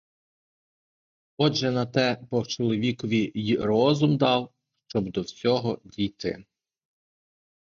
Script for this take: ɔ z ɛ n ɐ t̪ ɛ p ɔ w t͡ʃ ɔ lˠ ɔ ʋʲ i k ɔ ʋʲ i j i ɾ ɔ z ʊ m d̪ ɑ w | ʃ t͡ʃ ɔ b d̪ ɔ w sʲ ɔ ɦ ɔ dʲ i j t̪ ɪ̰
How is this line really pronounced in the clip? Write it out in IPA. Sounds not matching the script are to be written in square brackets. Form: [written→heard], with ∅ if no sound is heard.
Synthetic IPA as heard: ɔ [z→ʒ] ɛ n ɐ t̪ ɛ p ɔ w t͡ʃ ɔ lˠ ɔ ʋʲ i k ɔ ʋʲ i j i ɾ ɔ z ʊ m d̪ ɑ w | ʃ t͡ʃ ɔ b d̪ ɔ w sʲ ɔ ɦ ɔ dʲ i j t̪ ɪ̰

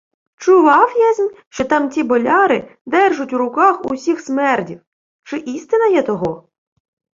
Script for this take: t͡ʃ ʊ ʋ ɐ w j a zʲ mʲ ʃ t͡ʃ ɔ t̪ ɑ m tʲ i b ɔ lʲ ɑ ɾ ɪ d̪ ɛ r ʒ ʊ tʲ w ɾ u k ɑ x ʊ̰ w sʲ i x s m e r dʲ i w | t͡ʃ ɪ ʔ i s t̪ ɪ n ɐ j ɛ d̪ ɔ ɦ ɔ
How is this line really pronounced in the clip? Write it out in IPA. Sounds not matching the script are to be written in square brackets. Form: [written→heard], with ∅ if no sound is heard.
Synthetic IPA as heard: t͡ʃ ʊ ʋ [ɐ→ɑ] w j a zʲ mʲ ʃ t͡ʃ ɔ t̪ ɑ m tʲ i b ɔ lʲ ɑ ɾ ɪ d̪ ɛ r ʒ ʊ tʲ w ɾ [u→ʊ] k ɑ x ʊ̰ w sʲ i x s m [e→ɛ] r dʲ i w | t͡ʃ ɪ ʔ i s t̪ ɪ n ɐ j ɛ [d̪→t̪] ɔ ɦ ɔ

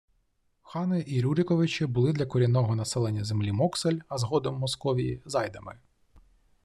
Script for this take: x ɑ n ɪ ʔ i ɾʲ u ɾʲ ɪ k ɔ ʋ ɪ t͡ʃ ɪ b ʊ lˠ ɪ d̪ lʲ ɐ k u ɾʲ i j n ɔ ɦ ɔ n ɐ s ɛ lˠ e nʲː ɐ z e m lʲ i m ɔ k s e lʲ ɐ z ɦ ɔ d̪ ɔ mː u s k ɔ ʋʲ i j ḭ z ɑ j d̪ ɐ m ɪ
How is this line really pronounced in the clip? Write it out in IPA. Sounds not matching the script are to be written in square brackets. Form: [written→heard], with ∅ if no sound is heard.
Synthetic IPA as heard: x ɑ n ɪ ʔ i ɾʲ u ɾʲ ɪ k ɔ ʋ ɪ t͡ʃ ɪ b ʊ lˠ ɪ d̪ lʲ ɐ k [u→ɔ] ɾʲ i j n ɔ ɦ ɔ n ɐ s ɛ lˠ e nʲː ɐ z e m lʲ i m ɔ k s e lʲ ɐ z ɦ ɔ d̪ ɔ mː [u→ɔ] s k ɔ ʋʲ i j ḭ z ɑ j d̪ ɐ m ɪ

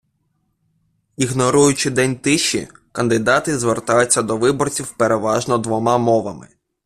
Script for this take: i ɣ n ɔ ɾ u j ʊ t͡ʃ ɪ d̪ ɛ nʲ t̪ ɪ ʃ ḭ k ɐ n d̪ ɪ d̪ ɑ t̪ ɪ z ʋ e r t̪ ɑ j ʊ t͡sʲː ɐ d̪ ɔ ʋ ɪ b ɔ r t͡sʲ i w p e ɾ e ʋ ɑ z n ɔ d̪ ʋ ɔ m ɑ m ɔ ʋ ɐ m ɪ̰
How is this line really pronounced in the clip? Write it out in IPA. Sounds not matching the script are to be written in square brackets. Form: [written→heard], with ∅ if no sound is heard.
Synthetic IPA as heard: i ɣ n ɔ ɾ u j ʊ t͡ʃ ɪ d̪ ɛ nʲ t̪ ɪ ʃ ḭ k ɐ n d̪ ɪ d̪ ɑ t̪ ɪ z ʋ e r t̪ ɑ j ʊ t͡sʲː ɐ d̪ ɔ ʋ ɪ b ɔ r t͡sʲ i w p e ɾ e ʋ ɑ [z→ʒ] n ɔ d̪ ʋ ɔ m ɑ m ɔ ʋ ɐ m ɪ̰

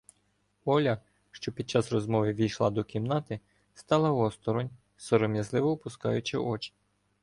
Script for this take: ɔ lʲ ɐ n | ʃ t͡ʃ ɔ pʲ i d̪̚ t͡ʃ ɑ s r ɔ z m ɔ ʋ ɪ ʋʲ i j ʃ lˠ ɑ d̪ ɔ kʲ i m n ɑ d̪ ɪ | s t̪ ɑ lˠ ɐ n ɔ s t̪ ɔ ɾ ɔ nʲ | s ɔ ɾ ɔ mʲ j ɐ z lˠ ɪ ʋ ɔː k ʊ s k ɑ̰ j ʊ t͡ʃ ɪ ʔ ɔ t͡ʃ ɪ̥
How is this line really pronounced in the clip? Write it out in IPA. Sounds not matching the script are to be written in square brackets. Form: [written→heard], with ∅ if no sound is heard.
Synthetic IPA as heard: ɔ lʲ ɐ [n→∅] | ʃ t͡ʃ ɔ pʲ i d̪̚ t͡ʃ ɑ s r ɔ z m ɔ ʋ ɪ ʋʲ i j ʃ lˠ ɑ d̪ ɔ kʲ i m n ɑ [d̪→t̪] ɪ | s t̪ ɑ lˠ ɐ [n→∅] ɔ s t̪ ɔ ɾ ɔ nʲ | s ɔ ɾ ɔ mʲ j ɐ z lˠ ɪ ʋ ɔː [k→p] ʊ s k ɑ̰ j ʊ t͡ʃ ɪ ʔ ɔ t͡ʃ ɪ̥

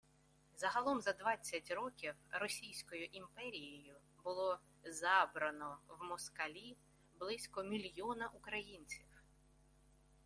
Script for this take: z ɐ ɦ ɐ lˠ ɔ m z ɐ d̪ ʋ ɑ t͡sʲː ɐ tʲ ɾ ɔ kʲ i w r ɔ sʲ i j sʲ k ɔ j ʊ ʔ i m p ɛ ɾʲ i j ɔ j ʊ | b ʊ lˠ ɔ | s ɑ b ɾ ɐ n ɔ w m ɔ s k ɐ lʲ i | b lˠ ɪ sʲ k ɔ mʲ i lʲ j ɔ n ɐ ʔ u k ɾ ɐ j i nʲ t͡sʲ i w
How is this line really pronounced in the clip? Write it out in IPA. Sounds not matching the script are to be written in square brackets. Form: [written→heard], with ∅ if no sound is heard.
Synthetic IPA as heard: z ɐ ɦ ɐ lˠ ɔ m z ɐ d̪ ʋ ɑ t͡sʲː ɐ tʲ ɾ ɔ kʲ i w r ɔ sʲ i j sʲ k ɔ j ʊ ʔ i m p ɛ ɾʲ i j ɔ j ʊ | b ʊ lˠ ɔ | [s→z] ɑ b ɾ ɐ n ɔ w m ɔ s k ɐ lʲ i | b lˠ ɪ sʲ k ɔ mʲ i lʲ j ɔ n ɐ ʔ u k ɾ ɐ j i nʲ t͡sʲ i w

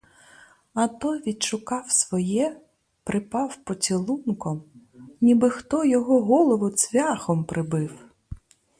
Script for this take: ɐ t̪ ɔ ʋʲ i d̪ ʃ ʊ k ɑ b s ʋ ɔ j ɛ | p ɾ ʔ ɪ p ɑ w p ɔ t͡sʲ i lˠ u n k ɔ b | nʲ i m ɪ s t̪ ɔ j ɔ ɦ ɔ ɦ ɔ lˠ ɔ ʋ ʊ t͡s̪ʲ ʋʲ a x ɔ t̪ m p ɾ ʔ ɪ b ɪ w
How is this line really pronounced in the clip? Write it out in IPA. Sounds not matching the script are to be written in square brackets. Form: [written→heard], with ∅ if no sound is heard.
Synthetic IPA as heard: ɐ t̪ ɔ ʋʲ i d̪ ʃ ʊ k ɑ [b→w] s ʋ ɔ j ɛ | p ɾ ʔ ɪ p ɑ w p ɔ t͡sʲ i lˠ u n k ɔ [b→m] | nʲ i [m→b] ɪ [s→x] t̪ ɔ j ɔ ɦ ɔ ɦ ɔ lˠ ɔ ʋ ʊ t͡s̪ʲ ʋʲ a x ɔ [t̪→∅] m p ɾ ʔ ɪ b ɪ w

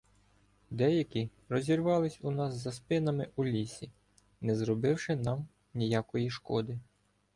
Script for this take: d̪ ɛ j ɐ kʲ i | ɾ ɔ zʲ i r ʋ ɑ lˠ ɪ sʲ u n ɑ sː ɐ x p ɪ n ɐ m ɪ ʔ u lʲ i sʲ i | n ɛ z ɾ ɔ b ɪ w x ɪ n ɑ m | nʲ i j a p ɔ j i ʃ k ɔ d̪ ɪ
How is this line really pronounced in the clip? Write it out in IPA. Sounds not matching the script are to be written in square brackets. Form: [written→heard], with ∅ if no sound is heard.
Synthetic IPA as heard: d̪ ɛ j ɐ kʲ i | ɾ ɔ zʲ i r ʋ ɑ lˠ ɪ sʲ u n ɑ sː ɐ [x→s] p ɪ n ɐ m ɪ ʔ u lʲ i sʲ i | n ɛ z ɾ ɔ b ɪ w [x→ʃ] ɪ n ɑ m | nʲ i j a [p→k] ɔ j i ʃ k ɔ d̪ ɪ

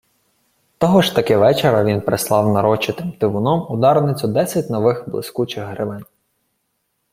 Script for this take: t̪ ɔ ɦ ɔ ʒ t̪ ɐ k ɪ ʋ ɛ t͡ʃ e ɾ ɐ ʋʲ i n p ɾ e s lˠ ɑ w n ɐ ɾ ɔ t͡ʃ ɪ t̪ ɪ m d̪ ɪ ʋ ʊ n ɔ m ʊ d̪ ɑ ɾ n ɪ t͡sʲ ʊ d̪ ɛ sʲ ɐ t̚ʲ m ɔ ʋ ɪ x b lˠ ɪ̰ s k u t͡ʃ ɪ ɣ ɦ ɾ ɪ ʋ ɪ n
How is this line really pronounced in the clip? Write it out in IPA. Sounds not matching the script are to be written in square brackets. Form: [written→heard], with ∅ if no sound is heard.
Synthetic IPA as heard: t̪ ɔ ɦ ɔ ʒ t̪ ɐ k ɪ ʋ ɛ t͡ʃ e ɾ ɐ ʋʲ i n p ɾ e s lˠ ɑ w n ɐ ɾ ɔ t͡ʃ ɪ t̪ ɪ m [d̪→t̪] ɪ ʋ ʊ n ɔ m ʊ d̪ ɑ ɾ n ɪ t͡sʲ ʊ d̪ ɛ sʲ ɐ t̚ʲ [m→n] ɔ ʋ ɪ x b lˠ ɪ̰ s k u t͡ʃ ɪ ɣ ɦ ɾ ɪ ʋ ɪ n

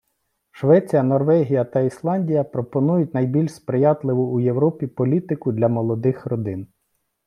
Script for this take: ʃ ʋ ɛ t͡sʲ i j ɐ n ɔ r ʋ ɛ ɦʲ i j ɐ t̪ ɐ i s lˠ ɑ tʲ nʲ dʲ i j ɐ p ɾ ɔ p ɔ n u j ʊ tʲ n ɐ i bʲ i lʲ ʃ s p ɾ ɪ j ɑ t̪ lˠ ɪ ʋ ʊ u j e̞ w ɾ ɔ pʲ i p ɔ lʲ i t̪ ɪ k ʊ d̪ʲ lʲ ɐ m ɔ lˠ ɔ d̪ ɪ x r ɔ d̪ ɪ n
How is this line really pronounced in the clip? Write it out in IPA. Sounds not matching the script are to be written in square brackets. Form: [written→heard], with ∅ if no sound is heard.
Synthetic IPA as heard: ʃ ʋ ɛ t͡sʲ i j ɐ n ɔ r ʋ ɛ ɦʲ i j ɐ t̪ ɐ i s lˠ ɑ [tʲ→∅] nʲ dʲ i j ɐ p ɾ ɔ p ɔ n u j ʊ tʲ n ɐ [i→j] bʲ i lʲ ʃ s p ɾ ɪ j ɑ t̪ lˠ ɪ ʋ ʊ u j e̞ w ɾ ɔ pʲ i p ɔ lʲ i t̪ ɪ k ʊ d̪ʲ lʲ ɐ m ɔ lˠ ɔ d̪ ɪ x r ɔ d̪ ɪ n

